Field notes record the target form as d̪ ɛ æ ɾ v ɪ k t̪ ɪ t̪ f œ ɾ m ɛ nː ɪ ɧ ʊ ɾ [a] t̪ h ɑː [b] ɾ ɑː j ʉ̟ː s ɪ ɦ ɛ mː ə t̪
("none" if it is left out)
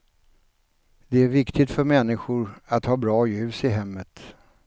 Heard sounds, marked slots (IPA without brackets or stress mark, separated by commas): a, b